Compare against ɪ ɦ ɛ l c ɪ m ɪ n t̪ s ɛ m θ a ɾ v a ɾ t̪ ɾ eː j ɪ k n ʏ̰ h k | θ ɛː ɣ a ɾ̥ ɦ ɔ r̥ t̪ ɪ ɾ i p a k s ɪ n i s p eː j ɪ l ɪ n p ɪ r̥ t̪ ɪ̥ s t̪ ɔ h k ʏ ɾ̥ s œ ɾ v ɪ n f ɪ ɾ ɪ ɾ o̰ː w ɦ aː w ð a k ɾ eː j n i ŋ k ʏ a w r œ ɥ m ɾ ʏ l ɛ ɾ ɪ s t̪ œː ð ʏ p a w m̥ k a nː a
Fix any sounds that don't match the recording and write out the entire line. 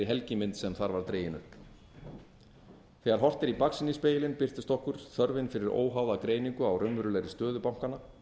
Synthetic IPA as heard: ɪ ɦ ɛ l c ɪ m ɪ n t̪ s ɛ m θ a ɾ v a ɾ t̪ ɾ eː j ɪ n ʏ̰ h p | θ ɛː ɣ a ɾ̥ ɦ ɔ r̥ t̪ ɪ ɾ i p a k s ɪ n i s p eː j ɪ l ɪ n p ɪ r̥ t̪ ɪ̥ s t̪ ɔ h k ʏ ɾ̥ θ œ ɾ v ɪ n f ɪ ɾ ɪ ɾ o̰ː w ɦ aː w ð a k ɾ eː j n i ŋ k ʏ a w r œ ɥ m ɾ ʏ l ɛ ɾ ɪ s t̪ œː ð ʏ p a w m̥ k a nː a